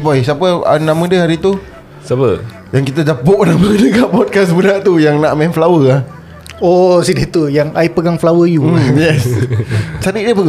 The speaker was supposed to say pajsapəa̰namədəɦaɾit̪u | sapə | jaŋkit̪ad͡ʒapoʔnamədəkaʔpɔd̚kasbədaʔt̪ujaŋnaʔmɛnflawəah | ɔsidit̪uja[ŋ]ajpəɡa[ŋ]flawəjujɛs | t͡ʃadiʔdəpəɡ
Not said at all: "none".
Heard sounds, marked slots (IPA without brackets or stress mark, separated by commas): ŋ, ŋ